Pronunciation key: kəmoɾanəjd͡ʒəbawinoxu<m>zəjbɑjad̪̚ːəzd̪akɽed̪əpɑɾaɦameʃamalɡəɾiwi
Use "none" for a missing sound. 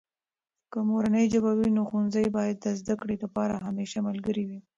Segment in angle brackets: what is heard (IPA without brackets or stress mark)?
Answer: n